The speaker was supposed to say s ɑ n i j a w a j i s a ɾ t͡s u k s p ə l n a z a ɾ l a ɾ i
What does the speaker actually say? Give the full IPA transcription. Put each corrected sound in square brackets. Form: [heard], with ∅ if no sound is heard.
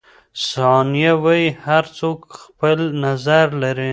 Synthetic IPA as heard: s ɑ n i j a w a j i [h] a ɾ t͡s [o] k [x] p ə l n a z a ɾ l a ɾ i